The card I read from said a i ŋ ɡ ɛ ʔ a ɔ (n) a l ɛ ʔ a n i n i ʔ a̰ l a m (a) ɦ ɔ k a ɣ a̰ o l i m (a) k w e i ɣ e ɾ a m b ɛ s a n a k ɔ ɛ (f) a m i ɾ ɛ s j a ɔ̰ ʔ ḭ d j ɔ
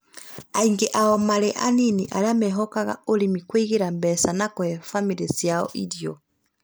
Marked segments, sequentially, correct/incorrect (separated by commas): incorrect, incorrect, incorrect, correct